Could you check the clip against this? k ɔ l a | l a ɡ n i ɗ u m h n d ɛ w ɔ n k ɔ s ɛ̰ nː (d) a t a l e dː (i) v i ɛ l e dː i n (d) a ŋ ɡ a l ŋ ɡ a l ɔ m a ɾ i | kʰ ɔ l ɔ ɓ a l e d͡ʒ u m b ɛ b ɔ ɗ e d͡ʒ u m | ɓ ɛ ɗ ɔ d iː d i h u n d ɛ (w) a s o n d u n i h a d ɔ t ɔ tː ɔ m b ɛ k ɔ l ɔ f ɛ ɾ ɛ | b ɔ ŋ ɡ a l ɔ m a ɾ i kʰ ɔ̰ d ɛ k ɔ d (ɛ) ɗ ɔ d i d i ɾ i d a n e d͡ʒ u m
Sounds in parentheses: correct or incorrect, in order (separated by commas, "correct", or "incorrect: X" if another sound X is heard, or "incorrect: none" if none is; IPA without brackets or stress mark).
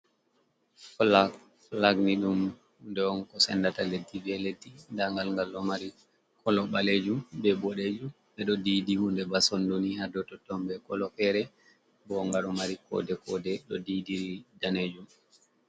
correct, correct, correct, incorrect: b, correct